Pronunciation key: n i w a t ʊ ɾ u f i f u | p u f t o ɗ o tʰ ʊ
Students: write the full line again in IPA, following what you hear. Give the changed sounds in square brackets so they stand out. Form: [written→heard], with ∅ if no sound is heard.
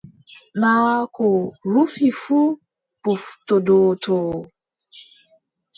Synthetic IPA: n [i→a] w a [t→k] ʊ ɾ u f i f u | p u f t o [ɗ→d] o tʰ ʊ